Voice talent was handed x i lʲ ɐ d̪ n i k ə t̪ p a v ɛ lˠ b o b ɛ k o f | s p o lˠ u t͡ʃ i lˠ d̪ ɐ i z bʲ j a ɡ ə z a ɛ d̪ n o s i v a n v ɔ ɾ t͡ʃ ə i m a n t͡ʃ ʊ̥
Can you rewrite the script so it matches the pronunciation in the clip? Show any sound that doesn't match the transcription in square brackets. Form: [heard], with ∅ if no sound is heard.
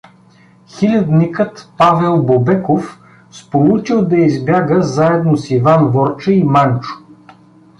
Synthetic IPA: x i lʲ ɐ d̪ n i k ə t̪ p a v ɛ lˠ b o b ɛ k o f | s p o lˠ u t͡ʃ i lˠ d̪ ɐ i z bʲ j a ɡ ə z a ɛ d̪ n o s i v a n v ɔ ɾ t͡ʃ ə i m a n t͡ʃ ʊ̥